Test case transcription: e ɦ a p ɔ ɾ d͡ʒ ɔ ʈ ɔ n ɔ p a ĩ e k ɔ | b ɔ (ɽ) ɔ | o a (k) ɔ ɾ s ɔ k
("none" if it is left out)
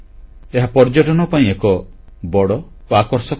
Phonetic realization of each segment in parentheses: ɽ, k

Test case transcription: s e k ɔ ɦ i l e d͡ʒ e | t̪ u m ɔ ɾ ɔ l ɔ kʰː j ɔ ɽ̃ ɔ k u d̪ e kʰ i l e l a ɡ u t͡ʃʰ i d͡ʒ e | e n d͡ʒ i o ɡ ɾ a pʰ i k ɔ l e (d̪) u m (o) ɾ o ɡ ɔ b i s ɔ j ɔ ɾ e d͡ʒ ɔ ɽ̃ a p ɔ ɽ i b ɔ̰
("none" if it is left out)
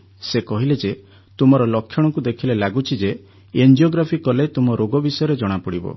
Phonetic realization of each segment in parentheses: t̪, ɔ

